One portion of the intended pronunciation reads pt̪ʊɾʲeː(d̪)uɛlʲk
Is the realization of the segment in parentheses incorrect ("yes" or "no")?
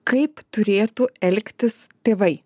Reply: yes